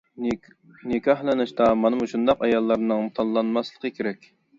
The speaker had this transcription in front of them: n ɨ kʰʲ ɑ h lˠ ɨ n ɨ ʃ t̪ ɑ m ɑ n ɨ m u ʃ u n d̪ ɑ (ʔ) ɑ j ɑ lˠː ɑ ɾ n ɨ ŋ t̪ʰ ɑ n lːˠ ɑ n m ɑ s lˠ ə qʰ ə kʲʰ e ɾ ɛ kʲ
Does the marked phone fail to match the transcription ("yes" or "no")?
yes